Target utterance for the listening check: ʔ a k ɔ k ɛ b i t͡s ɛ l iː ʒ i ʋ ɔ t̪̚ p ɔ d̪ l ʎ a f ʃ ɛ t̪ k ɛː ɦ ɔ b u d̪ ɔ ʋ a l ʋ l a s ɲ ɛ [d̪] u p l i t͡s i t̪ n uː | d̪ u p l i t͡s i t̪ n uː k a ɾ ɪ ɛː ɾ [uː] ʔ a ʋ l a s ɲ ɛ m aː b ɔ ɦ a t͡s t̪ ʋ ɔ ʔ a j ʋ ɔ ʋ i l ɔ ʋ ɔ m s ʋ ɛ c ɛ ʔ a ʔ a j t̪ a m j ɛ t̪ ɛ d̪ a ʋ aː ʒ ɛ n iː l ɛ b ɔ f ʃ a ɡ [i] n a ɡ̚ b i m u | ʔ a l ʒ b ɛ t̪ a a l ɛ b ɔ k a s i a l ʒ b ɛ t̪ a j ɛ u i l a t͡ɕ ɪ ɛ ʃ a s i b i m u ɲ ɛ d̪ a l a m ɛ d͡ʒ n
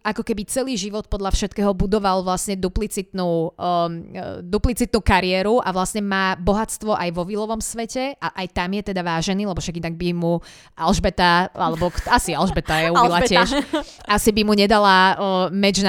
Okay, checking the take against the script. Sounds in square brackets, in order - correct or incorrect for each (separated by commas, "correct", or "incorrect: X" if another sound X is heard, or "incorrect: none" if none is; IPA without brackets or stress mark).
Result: correct, incorrect: u, correct